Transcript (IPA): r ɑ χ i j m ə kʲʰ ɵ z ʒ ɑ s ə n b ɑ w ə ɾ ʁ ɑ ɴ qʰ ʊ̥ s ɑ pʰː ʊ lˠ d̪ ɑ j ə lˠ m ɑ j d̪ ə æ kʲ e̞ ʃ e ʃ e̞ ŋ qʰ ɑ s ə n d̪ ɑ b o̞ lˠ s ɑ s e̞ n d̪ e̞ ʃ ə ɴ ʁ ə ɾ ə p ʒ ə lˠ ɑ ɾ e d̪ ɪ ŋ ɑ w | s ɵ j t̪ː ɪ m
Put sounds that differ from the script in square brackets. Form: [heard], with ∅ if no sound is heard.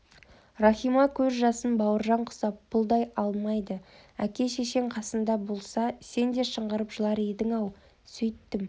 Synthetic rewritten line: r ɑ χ i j m [ɑ] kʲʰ ɵ z ʒ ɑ s ə n b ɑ w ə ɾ [ʒ] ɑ ɴ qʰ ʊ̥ s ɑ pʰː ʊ lˠ d̪ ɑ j [ɑ] lˠ m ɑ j d̪ ə æ kʲ e̞ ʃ e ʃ e̞ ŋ qʰ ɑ s ə n d̪ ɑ b o̞ lˠ s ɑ s e̞ n d̪ e̞ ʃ ə ɴ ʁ ə ɾ ə p ʒ ə lˠ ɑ ɾ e d̪ ɪ ŋ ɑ w | s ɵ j t̪ː ɪ m